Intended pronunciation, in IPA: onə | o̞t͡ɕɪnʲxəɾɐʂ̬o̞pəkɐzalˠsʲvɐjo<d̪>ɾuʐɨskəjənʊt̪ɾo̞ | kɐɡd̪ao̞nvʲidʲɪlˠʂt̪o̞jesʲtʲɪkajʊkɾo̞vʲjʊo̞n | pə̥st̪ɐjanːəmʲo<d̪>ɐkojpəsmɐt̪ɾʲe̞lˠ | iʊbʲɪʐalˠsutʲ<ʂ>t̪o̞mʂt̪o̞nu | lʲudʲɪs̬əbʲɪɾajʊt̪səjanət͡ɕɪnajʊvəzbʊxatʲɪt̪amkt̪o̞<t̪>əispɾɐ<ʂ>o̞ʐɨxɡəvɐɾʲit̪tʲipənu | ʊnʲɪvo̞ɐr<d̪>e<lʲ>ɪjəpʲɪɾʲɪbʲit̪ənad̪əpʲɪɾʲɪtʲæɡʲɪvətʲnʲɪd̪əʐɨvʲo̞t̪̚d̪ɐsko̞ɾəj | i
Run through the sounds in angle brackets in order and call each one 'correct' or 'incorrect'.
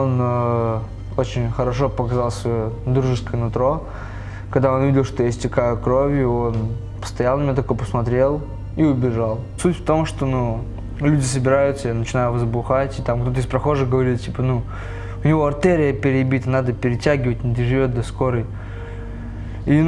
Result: correct, incorrect, incorrect, correct, incorrect, incorrect, incorrect

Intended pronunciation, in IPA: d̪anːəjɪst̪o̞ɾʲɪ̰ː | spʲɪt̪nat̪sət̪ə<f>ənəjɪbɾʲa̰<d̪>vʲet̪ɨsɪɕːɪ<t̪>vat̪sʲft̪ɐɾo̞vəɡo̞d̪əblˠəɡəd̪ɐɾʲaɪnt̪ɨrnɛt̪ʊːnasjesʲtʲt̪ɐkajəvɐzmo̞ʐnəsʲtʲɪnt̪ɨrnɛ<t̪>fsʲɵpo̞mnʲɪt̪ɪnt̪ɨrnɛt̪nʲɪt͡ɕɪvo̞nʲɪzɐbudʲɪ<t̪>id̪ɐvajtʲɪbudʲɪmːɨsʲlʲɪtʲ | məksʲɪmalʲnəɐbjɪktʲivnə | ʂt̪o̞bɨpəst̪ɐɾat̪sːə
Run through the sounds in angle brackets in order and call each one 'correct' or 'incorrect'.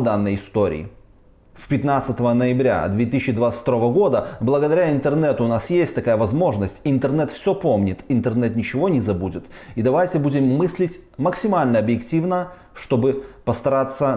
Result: incorrect, correct, incorrect, correct, correct

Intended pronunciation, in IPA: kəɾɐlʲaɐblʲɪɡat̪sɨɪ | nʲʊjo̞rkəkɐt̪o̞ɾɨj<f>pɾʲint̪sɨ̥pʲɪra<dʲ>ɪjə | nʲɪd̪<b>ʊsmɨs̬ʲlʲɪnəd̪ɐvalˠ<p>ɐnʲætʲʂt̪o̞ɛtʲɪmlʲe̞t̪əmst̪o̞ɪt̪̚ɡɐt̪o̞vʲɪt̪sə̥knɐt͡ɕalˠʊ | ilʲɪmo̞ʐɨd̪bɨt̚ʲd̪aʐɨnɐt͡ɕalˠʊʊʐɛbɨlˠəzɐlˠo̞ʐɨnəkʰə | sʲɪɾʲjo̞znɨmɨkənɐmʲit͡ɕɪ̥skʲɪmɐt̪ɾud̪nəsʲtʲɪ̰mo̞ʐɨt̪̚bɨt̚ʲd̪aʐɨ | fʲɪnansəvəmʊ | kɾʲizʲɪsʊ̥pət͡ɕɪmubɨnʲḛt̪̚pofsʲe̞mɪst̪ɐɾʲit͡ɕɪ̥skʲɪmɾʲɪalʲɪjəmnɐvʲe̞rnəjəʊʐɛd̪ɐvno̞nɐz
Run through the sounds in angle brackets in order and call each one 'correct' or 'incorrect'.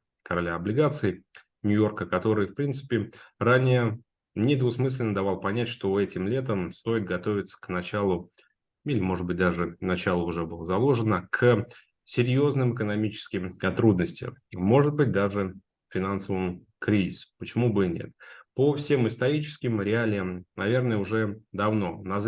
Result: correct, incorrect, incorrect, correct

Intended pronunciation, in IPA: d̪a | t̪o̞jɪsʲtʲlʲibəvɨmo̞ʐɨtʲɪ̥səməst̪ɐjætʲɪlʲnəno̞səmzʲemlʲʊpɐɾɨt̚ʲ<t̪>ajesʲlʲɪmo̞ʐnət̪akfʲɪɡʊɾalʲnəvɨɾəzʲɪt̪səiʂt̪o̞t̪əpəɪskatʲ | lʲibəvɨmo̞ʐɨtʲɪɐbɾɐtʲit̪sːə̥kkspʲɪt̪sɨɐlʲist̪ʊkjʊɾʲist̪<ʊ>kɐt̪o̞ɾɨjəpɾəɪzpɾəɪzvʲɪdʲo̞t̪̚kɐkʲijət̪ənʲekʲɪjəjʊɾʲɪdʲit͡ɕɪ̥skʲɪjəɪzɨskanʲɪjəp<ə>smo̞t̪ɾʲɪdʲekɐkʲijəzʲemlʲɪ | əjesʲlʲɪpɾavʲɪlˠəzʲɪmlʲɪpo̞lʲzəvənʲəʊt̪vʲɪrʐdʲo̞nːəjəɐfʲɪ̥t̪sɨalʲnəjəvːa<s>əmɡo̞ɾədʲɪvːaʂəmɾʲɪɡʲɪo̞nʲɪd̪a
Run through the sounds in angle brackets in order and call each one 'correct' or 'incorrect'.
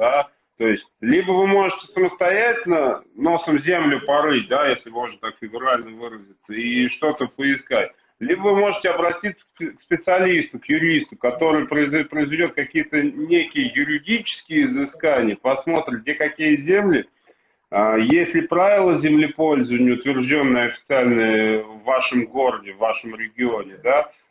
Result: incorrect, correct, incorrect, incorrect

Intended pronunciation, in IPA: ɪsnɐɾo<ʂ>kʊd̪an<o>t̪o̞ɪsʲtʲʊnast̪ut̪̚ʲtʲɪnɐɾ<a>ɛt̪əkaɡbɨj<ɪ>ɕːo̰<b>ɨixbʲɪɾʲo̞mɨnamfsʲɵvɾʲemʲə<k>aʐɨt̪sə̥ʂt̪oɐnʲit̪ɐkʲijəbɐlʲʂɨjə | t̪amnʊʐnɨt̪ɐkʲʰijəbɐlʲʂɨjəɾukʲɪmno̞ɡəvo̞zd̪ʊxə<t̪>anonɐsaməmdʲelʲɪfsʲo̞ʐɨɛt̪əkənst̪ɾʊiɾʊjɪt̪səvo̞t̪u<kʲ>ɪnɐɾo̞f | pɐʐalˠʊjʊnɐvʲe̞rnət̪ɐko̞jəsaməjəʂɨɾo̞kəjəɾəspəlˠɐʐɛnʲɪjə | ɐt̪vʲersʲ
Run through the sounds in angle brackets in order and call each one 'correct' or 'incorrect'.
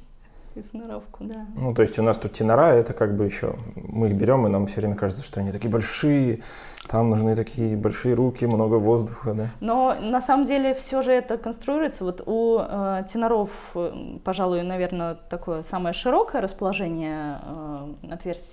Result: incorrect, incorrect, correct, correct, incorrect, correct, incorrect, incorrect

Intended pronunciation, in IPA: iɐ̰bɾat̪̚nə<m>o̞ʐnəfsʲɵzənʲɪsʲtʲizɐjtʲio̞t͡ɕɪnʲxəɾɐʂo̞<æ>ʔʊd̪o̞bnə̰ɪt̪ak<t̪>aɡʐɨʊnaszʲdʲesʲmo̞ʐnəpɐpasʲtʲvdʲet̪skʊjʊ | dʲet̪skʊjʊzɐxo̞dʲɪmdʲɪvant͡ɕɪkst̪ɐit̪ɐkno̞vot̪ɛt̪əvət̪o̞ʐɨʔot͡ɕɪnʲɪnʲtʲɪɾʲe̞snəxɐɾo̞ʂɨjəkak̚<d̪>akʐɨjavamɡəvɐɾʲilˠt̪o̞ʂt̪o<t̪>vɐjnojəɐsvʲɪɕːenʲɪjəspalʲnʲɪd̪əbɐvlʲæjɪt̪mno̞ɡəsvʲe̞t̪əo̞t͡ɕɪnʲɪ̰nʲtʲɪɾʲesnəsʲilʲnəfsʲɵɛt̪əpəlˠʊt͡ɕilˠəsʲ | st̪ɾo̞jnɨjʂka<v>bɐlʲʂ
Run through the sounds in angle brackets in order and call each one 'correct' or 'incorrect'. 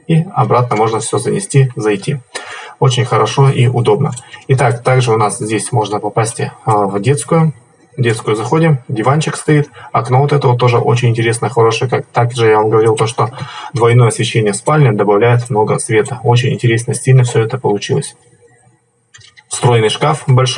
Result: correct, incorrect, correct, incorrect, incorrect, incorrect

